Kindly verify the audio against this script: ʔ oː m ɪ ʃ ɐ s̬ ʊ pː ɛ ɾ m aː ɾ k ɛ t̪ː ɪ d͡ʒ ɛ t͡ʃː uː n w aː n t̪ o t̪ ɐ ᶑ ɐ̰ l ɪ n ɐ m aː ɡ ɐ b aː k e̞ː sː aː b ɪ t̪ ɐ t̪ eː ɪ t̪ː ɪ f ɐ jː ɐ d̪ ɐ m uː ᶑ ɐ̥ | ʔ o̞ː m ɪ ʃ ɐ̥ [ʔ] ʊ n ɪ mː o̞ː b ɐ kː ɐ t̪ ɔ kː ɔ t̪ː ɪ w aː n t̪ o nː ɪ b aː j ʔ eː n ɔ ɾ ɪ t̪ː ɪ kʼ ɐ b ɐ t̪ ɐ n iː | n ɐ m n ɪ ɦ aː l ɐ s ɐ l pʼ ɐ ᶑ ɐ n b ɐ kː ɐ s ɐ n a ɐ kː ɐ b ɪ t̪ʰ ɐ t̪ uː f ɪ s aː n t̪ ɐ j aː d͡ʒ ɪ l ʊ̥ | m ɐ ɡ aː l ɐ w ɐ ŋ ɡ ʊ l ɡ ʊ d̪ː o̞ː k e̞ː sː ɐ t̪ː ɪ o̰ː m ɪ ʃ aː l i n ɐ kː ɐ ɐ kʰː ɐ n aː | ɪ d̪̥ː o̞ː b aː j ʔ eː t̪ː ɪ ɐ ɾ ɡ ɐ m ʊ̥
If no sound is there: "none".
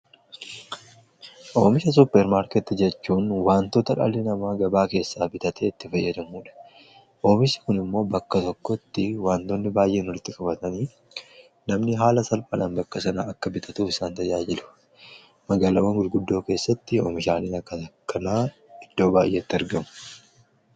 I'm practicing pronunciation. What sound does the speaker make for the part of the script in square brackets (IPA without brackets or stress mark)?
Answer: k